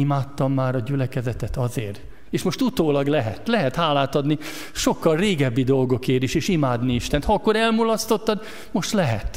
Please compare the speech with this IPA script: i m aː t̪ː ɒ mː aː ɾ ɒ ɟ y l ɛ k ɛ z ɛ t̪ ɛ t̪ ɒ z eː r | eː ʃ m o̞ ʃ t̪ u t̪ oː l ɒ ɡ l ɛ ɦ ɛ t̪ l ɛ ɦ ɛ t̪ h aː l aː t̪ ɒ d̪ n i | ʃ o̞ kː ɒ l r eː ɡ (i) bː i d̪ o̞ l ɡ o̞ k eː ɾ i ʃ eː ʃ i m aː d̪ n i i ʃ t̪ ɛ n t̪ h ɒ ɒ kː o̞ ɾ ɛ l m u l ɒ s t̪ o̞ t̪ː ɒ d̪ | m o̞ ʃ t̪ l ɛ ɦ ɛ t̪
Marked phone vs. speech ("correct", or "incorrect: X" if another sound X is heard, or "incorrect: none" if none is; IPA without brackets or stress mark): incorrect: ɛ